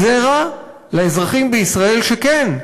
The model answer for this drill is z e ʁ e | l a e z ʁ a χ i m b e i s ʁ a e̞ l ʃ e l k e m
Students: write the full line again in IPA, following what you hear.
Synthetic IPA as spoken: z e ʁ a | l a e z ʁ a χ i m b e i s ʁ a e̞ l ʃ e k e n